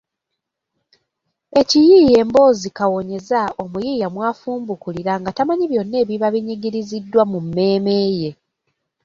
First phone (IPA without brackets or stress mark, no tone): e̞